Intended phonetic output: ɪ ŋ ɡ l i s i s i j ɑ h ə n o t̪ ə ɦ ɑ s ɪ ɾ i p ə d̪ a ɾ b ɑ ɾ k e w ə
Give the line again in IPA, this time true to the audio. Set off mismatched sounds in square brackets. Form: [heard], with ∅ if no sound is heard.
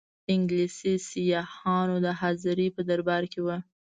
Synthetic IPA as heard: ɪ ŋ ɡ l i s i s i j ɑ h [ɑ] n o [d̪] ə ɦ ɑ [z] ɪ ɾ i p ə d̪ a ɾ b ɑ ɾ k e w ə

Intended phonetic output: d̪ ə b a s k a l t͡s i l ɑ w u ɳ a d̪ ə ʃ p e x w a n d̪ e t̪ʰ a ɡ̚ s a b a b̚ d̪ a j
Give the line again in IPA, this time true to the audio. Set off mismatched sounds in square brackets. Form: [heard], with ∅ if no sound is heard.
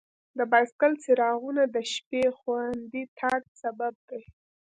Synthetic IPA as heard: d̪ ə b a s k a l t͡s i [ɾ] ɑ [ɣ] u [n] a d̪ ə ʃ p e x w a n d̪ [i] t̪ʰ a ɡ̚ s a b a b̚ d̪ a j

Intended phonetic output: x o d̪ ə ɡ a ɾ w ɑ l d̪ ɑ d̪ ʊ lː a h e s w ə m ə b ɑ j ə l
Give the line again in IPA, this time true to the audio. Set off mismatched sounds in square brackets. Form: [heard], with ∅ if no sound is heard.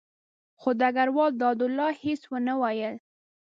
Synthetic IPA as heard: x o d̪ [a] ɡ a ɾ w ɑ l d̪ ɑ d̪ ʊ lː [ɑ] h e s w ə [n] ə [w] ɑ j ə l

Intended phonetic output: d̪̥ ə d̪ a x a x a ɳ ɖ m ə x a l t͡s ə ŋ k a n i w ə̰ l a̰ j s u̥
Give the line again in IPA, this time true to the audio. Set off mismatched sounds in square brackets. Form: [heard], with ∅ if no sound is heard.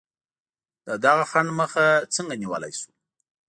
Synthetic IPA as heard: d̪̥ ə d̪ a [ɣ] a x a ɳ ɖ m ə x a [∅] t͡s ə ŋ [ɡ] a n i w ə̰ l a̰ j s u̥

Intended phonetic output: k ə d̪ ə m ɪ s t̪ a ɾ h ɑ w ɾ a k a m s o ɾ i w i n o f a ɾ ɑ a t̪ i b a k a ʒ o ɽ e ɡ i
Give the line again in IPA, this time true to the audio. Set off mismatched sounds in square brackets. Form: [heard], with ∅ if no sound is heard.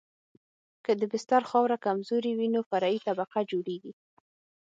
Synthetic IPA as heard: k ə d̪ ə [b] ɪ s t̪ a ɾ [x] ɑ w ɾ a k a m [z] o ɾ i w i n o f a ɾ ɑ [i] t̪ [a] b a [q] a [d͡ʒ] o ɽ e ɡ i

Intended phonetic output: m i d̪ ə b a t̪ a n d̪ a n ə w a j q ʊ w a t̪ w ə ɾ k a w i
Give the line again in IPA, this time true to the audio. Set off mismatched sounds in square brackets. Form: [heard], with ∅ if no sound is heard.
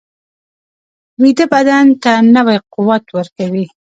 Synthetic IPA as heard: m i d̪ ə b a [d̪] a n [t̪] a n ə w a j q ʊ w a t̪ w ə ɾ k a w i

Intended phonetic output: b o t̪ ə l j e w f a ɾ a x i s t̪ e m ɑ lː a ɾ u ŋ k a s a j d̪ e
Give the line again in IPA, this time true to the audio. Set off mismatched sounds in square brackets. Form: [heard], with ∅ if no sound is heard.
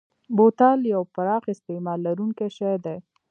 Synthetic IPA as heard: b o t̪ [ɑ] l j [a] w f a ɾ [ɑ] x [ɪ] s t̪ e m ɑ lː a ɾ u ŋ k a [ʃ] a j d̪ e

